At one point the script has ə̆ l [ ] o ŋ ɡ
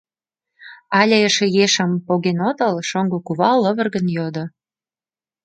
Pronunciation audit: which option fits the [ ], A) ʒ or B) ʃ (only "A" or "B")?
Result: B